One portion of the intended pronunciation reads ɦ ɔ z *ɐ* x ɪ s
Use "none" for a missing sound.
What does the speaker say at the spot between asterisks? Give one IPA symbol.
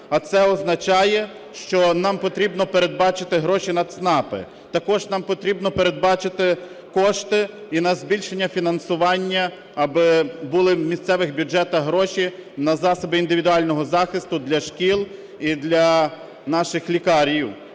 ɑ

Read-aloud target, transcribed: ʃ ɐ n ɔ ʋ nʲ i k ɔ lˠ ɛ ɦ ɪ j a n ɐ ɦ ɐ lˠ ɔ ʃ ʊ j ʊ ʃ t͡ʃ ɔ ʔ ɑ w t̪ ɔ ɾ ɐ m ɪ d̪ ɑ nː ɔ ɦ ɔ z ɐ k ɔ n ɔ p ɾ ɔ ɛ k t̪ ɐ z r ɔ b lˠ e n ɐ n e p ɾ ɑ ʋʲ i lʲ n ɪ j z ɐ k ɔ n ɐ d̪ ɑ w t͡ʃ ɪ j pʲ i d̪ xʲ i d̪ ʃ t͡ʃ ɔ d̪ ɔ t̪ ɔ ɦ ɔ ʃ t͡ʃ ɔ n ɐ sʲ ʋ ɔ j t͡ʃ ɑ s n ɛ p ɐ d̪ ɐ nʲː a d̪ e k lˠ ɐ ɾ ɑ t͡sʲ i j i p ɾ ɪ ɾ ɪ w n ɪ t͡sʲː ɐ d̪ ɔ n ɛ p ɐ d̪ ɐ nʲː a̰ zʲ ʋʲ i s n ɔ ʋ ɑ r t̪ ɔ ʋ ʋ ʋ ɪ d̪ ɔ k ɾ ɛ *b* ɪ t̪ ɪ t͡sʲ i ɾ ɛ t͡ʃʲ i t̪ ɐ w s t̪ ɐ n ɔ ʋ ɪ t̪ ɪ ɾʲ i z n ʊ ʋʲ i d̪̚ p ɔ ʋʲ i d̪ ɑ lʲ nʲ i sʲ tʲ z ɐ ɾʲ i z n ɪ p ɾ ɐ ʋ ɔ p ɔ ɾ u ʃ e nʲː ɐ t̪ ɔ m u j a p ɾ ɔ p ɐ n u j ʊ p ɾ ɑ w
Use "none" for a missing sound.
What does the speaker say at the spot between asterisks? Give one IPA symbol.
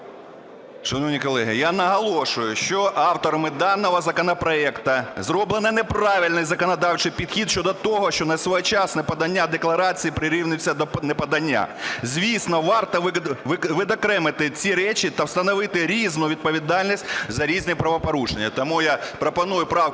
m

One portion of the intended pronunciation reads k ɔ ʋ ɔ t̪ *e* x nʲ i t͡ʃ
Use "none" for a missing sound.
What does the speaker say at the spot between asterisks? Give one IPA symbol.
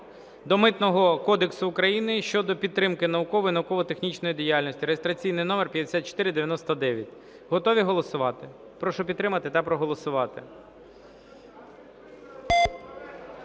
e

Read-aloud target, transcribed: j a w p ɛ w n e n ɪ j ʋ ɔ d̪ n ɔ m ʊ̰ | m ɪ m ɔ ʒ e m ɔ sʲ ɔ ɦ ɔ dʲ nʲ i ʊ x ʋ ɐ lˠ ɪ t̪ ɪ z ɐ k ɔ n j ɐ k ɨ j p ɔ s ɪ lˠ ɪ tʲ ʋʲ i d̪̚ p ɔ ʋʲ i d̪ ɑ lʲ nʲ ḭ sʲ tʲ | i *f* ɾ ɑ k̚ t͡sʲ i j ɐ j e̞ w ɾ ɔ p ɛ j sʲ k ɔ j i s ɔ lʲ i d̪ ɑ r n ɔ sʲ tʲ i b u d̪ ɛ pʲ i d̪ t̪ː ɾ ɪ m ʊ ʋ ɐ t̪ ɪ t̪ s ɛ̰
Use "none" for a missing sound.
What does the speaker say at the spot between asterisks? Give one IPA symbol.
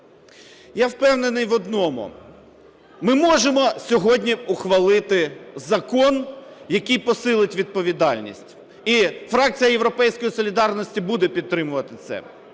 f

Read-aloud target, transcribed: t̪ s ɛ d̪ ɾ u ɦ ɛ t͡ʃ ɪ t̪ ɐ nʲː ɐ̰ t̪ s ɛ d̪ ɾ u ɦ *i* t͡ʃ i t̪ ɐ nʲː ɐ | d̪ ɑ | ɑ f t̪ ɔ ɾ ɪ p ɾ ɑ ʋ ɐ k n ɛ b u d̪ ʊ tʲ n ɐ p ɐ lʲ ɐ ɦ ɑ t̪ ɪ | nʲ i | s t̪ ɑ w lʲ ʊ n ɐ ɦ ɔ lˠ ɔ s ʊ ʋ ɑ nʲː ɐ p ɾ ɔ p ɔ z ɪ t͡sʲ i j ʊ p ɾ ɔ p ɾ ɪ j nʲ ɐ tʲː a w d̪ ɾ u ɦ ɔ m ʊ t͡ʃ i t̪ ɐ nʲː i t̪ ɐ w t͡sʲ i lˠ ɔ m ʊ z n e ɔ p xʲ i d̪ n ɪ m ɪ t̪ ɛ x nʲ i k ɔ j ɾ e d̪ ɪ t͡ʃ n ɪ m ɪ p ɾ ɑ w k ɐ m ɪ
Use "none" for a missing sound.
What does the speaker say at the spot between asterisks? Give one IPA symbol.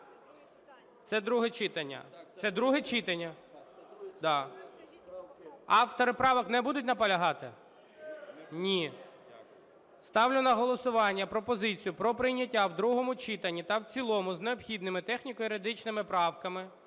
ɛ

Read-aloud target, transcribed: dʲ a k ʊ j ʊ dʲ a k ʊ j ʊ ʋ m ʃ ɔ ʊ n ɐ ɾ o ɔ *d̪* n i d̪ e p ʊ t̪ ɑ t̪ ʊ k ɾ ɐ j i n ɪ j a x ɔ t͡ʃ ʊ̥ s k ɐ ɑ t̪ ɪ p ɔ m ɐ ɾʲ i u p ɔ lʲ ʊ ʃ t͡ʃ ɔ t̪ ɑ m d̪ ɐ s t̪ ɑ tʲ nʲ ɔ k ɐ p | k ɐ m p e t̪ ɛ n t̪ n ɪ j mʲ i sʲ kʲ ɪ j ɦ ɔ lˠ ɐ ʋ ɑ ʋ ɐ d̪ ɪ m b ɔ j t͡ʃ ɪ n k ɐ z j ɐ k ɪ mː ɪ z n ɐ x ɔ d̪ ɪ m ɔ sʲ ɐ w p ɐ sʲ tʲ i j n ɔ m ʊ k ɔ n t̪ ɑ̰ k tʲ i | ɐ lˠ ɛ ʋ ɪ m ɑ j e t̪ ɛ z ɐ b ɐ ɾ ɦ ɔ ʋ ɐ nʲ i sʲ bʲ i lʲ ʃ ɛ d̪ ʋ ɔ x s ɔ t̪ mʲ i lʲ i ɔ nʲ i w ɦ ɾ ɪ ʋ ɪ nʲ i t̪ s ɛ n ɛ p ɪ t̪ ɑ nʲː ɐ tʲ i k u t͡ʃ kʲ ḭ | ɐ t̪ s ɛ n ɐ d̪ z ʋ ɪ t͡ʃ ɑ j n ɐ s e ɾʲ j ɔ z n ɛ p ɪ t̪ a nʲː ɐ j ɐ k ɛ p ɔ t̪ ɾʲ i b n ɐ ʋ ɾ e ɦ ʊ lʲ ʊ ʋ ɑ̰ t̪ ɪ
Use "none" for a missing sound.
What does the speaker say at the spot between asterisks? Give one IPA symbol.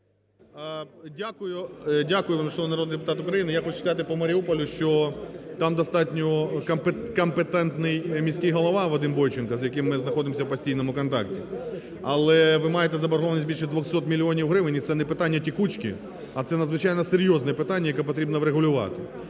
d̪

